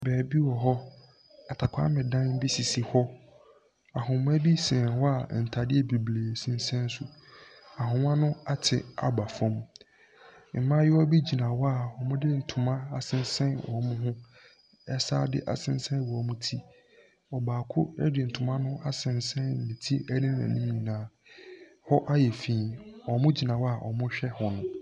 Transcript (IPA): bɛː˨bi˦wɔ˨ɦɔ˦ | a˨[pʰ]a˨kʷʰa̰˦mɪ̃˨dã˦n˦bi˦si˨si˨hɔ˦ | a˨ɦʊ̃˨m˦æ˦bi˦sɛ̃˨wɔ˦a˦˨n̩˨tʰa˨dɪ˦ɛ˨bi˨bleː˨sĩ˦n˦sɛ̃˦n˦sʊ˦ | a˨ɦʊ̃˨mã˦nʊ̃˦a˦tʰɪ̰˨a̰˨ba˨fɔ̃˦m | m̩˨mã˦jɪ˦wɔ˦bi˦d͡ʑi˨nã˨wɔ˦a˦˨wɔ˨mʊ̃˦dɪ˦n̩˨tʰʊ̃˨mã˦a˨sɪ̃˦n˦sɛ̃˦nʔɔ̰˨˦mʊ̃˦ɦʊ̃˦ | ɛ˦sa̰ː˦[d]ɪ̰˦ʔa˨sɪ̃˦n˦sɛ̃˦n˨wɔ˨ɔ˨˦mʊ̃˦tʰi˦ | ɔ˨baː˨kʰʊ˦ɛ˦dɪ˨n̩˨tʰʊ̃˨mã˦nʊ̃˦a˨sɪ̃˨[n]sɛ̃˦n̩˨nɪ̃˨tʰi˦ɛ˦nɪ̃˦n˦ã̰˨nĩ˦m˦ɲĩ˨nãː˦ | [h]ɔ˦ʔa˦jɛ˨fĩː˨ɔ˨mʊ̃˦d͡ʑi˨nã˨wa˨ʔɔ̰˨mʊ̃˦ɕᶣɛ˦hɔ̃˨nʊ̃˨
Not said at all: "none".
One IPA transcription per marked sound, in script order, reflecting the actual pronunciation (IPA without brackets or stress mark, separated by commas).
tʰ, d, n, h